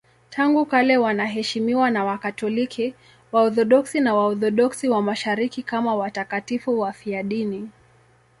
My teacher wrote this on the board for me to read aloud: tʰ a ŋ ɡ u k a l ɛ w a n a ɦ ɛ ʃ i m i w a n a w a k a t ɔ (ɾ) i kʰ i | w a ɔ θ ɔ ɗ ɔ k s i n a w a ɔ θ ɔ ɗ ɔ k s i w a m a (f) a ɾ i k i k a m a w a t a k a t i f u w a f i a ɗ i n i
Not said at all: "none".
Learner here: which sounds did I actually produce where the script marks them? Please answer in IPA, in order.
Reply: l, ʃ

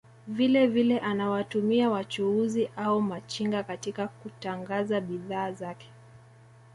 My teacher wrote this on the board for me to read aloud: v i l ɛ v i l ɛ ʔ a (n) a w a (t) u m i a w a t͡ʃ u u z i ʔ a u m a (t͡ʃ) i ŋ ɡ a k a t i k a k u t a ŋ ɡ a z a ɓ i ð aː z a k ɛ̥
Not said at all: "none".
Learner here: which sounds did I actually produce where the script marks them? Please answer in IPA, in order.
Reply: n, t, t͡ʃ

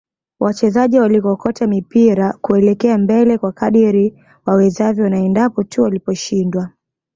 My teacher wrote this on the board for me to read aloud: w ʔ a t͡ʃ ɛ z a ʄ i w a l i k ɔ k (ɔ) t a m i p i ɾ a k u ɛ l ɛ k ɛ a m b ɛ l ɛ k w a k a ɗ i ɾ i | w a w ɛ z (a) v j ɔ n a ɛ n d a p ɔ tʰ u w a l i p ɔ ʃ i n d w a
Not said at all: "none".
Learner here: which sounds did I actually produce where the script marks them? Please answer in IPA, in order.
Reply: ɔ, a

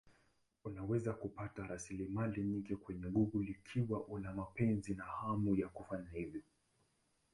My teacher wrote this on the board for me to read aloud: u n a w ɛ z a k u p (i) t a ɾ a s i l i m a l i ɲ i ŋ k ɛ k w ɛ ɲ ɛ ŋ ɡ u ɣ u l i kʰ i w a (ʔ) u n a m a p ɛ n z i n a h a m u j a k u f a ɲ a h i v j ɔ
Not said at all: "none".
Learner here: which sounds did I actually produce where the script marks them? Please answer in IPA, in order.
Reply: a, ʔ

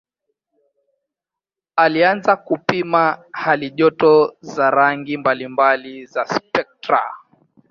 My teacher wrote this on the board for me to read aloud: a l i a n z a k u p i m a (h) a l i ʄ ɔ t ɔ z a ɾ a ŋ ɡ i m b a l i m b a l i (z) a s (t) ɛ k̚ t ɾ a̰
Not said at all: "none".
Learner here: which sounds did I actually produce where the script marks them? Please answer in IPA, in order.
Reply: h, z, p

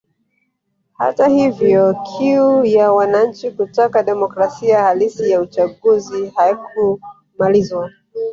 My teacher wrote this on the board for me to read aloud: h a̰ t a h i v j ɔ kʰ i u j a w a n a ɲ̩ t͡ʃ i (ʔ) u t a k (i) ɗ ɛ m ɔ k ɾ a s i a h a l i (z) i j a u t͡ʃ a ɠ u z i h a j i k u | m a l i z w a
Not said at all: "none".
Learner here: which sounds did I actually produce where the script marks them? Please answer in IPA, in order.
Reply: k, a, s

